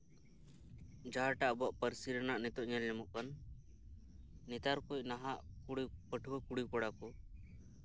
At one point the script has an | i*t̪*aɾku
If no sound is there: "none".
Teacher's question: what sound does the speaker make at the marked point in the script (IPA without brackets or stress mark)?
t̪